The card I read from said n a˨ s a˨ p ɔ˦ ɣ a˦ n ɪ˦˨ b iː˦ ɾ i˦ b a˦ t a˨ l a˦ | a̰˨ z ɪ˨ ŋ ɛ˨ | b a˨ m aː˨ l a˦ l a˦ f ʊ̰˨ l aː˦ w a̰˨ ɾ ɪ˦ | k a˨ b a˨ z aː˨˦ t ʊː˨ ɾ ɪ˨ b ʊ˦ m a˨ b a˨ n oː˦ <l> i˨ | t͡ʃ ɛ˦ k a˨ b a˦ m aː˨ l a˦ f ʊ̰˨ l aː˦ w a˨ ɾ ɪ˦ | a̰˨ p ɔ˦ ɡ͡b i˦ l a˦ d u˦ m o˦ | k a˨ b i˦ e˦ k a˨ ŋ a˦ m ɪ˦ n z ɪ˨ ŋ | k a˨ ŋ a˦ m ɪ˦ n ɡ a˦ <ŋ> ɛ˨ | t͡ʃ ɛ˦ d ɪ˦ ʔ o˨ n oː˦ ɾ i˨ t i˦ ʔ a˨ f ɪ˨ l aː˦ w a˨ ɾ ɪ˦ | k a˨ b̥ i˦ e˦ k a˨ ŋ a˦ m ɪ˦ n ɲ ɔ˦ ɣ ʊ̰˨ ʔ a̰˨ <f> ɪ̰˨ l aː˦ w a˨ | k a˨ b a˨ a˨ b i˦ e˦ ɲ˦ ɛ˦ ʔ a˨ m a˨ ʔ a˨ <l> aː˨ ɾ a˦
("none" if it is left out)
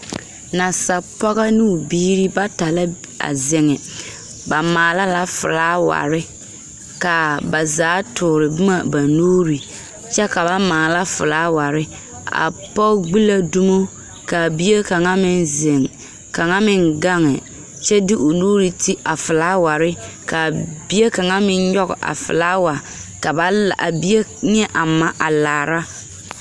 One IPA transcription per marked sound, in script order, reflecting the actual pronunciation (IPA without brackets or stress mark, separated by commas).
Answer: ɾ, ŋ, f, l